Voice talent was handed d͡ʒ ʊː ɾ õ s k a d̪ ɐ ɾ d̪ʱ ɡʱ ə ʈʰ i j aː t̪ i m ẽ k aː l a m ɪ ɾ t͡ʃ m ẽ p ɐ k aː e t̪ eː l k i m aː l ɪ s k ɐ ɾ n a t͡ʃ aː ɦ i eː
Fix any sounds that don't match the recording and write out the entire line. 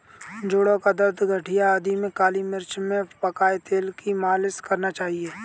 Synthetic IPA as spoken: d͡ʒ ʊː ɽ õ k a d̪ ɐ ɾ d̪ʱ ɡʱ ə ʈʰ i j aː d̪ i m ẽ k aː l i m ɪ ɾ t͡ʃ m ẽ p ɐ k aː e t̪ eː l k i m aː l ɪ s k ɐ ɾ n a t͡ʃ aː ɦ i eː

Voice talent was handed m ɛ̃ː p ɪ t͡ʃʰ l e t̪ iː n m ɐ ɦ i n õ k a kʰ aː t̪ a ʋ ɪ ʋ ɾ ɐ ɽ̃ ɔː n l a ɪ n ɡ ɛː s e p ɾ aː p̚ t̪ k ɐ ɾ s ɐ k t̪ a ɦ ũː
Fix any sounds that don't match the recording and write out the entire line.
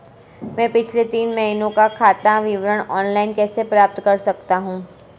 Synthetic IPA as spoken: m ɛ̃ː p ɪ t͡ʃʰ l e t̪ iː n m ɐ ɦ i n õ k a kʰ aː t̪ a ʋ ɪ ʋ ɾ ə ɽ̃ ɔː n l a ɪ n k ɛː s e p ɾ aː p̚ t̪ k ɐ ɾ s ɐ k t̪ a ɦ ũː

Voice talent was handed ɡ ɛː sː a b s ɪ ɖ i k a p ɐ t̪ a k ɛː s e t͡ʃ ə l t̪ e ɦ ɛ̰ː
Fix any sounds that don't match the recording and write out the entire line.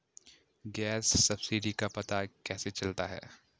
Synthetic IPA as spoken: ɡ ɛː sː ɐ b s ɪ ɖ i k a p ɐ t̪ a k ɛː s e t͡ʃ ɐ l t̪ a ɦ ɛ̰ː

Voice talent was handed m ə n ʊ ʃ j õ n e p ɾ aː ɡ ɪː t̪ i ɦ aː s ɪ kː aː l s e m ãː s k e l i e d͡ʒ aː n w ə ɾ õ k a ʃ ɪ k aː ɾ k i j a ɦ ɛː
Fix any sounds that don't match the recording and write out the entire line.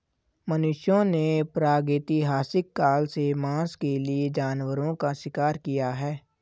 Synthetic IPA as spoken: m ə n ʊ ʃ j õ n e p ɾ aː ɡ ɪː t̪ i ɦ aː s ɪ kː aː l s e m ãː s k e l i e d͡ʒ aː n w ə ɾ õ k a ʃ ɪ k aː ɾ k i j a ɦ ɛː

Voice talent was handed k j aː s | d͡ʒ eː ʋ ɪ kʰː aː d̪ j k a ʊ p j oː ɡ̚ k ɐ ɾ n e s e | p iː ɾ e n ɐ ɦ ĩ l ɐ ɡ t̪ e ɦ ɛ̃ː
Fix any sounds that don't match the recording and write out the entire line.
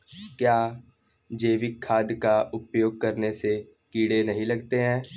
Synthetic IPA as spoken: k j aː | d͡ʒ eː ʋ ɪ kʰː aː d̪ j k a ʊ p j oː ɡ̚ k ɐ ɾ n e s e | k iː ɽ e n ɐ ɦ ĩ l ɐ ɡ t̪ e ɦ ɛ̃ː

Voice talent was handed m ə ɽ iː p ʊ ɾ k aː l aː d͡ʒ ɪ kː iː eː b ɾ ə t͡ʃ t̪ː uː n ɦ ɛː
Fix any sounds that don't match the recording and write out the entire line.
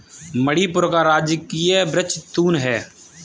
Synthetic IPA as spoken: m ə ɽ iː p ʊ ɾ k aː ɾ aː d͡ʒ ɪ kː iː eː b ɾ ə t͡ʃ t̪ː uː n ɦ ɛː

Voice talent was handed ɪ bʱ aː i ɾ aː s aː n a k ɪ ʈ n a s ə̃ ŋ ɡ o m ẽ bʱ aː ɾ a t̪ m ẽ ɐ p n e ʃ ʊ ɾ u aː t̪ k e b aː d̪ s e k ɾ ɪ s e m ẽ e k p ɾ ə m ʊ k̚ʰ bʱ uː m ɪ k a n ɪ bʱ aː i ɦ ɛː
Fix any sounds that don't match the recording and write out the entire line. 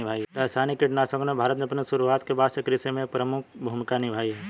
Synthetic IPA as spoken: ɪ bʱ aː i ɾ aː s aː n i k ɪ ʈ n a s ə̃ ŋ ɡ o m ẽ bʱ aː ɾ ə t̪ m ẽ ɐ p n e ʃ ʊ ɾ u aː t̪ k e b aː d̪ s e k ɾ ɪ s e m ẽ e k p ɾ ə m ʊ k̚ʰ bʱ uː m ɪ k a n ɪ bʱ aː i ɦ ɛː

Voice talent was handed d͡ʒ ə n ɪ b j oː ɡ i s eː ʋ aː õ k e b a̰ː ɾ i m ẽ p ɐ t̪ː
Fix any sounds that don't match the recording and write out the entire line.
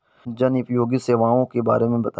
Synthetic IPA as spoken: d͡ʒ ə n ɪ p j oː ɡ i s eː ʋ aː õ k e b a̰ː ɾ e m ẽ b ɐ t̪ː

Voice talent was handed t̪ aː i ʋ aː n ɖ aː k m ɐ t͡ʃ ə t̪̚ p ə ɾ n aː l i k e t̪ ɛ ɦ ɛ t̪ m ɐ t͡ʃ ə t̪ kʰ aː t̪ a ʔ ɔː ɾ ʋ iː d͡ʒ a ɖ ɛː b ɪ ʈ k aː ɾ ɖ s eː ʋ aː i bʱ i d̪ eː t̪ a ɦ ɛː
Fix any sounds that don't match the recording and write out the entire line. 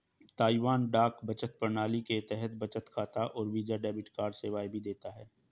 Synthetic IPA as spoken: t̪ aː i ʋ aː n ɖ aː k b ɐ t͡ʃ ə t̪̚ p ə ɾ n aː l i k e t̪ ɛ ɦ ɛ t̪ b ɐ t͡ʃ ə t̪ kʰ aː t̪ a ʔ ɔː ɾ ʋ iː d͡ʒ a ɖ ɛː b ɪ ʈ k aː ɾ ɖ s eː ʋ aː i bʱ i d̪ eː t̪ a ɦ ɛː

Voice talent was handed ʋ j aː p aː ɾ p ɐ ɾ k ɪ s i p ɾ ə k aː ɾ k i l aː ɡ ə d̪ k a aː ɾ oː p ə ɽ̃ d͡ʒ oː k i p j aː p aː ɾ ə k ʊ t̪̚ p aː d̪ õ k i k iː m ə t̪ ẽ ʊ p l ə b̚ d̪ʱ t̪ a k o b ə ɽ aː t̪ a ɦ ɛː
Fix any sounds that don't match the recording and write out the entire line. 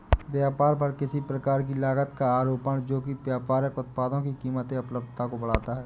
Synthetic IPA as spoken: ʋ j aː p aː ɾ p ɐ ɾ k ɪ s i p ɾ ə k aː ɾ k i l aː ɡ ə t̪ k a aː ɾ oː p ə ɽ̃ d͡ʒ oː k i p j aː p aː ɾ ə k ʊ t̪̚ p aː d̪ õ k i k iː m ə t̪ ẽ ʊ p l ə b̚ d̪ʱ t̪ a k o b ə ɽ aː t̪ a ɦ ɛː

